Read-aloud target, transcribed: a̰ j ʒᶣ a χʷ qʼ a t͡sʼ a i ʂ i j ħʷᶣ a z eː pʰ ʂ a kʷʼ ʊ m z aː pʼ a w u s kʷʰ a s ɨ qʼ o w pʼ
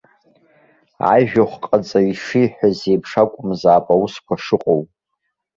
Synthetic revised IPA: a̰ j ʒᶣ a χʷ qʼ a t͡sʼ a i ʂ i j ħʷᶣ a z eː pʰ ʂ a kʷʼ ʊ m z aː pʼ a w u s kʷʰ a ʂ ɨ qʼ o w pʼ